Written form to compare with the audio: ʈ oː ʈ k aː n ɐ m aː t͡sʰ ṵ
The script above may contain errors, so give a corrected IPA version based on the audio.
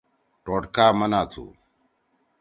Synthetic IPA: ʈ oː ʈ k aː m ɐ n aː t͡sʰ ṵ